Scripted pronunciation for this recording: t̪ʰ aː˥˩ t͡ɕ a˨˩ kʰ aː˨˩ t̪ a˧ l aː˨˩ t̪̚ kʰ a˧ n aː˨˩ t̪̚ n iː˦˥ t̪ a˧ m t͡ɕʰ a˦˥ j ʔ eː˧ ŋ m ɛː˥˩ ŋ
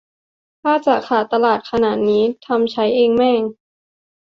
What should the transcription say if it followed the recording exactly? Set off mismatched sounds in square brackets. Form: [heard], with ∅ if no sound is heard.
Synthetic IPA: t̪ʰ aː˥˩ t͡ɕ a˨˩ kʰ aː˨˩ t̪ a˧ l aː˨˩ t̪̚ kʰ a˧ n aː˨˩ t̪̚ n iː˦˥ [t̪ʰ] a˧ m t͡ɕʰ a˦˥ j ʔ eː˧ ŋ m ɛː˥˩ ŋ

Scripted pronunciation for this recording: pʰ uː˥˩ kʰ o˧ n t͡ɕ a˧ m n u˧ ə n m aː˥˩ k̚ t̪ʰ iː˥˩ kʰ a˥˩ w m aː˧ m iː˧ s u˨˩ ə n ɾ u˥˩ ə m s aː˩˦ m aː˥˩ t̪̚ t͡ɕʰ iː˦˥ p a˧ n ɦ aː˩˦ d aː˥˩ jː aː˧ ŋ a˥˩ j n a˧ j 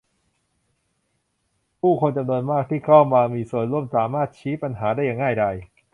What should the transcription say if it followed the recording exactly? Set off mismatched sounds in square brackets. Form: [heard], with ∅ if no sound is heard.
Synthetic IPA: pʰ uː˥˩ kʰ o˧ n t͡ɕ a˧ m n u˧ ə n m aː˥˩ k̚ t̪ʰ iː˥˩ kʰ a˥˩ w m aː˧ m iː˧ s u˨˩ ə n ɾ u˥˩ ə m s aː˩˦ m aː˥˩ t̪̚ t͡ɕʰ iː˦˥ p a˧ n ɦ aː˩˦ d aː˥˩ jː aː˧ ŋ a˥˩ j [d] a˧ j

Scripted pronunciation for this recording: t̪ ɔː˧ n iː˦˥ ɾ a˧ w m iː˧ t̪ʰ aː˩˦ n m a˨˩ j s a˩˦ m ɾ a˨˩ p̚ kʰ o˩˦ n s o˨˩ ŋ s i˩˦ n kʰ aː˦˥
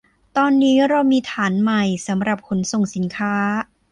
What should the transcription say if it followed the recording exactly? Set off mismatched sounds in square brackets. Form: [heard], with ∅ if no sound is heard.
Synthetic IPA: t̪ ɔː˧ [nː] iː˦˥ ɾ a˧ w m iː˧ t̪ʰ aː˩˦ n m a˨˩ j s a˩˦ m ɾ a˨˩ p̚ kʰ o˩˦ n s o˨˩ ŋ s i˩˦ n kʰ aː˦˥

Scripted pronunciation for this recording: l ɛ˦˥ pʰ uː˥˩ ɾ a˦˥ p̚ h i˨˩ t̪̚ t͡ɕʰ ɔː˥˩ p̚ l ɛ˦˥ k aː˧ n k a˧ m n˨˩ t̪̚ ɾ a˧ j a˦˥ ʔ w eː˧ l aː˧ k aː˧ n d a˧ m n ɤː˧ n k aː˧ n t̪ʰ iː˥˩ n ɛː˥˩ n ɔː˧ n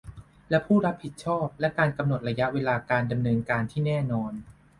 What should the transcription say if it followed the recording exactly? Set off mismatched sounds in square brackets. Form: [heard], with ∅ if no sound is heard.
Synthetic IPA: l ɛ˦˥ pʰ uː˥˩ ɾ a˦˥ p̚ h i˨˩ t̪̚ t͡ɕʰ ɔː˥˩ p̚ l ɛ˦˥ k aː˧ n k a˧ m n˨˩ t̪̚ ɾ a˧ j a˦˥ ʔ w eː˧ l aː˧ k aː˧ n d a˧ m n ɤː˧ n k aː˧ n t̪ʰ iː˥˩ n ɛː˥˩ n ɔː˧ n

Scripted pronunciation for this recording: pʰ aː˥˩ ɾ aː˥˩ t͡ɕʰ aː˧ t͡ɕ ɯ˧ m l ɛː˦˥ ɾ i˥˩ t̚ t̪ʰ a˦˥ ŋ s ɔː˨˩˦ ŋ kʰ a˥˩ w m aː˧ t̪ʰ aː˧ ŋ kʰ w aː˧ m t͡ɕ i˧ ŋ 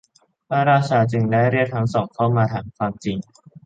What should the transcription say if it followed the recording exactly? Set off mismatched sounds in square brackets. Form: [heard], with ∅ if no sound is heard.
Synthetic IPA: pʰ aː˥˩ ɾ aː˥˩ t͡ɕʰ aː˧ t͡ɕ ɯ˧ [ŋ] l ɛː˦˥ ɾ i˥˩ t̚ t̪ʰ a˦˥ ŋ s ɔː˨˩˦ ŋ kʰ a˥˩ w m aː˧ t̪ʰ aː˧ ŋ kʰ w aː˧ m t͡ɕ i˧ ŋ

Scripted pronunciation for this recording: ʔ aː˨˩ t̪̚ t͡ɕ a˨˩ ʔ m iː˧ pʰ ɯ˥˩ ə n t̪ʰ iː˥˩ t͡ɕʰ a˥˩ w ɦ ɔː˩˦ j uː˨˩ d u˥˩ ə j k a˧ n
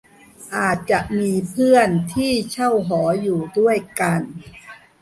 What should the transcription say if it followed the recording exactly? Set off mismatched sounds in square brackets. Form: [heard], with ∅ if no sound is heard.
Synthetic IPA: ʔ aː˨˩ t̪̚ t͡ɕ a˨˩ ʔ m iː˧ pʰ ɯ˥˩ ə n t̪ʰ iː˥˩ t͡ɕʰ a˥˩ w ɦ ɔː˩˦ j uː˨˩ d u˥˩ ə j k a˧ n

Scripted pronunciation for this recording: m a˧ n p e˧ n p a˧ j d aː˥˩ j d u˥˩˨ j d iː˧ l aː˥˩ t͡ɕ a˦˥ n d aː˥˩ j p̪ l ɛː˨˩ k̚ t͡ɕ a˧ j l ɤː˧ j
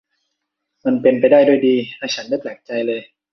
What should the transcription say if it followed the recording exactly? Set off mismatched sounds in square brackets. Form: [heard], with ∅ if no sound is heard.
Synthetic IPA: m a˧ n p e˧ n p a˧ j d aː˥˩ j d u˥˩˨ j d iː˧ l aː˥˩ [t͡ɕʰ] a˦˥ n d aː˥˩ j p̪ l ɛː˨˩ k̚ t͡ɕ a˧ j l ɤː˧ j

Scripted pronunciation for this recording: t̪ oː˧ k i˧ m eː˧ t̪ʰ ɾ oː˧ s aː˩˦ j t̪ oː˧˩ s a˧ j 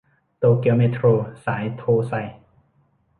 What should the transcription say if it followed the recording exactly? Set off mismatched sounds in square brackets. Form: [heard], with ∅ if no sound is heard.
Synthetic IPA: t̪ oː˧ k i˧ m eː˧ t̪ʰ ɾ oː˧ s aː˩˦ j [t̪ʰ] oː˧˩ s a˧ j

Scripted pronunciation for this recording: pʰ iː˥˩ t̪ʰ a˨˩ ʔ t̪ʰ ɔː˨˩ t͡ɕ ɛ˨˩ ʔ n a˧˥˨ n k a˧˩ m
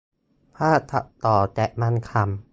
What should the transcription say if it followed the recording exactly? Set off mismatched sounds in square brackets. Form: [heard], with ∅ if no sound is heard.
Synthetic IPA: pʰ [aː˥˩] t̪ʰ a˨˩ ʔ [t̪] ɔː˨˩ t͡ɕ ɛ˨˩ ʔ [m] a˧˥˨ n [kʰ] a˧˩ m

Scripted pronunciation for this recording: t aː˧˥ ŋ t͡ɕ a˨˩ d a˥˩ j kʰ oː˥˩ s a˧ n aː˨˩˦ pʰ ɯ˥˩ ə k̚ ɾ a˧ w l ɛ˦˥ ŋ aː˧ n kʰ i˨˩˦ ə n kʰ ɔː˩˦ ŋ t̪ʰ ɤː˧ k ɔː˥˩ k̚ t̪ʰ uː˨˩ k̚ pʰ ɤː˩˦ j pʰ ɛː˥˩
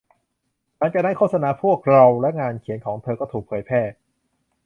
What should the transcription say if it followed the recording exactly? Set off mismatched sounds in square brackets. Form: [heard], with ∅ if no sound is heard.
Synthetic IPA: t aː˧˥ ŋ t͡ɕ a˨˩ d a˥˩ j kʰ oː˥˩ s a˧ n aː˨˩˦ pʰ [u˥˩] ə k̚ ɾ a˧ w l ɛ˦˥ ŋ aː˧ n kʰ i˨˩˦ ə n kʰ ɔː˩˦ ŋ t̪ʰ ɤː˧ k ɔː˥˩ [∅] t̪ʰ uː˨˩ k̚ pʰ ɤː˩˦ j pʰ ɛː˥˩

